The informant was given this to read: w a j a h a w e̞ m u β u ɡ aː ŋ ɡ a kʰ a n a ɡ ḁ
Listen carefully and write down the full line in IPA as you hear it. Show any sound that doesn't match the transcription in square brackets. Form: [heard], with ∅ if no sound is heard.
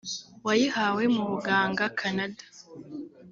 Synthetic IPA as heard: w a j [i] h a w e̞ m u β u ɡ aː ŋ ɡ a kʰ a n a [d] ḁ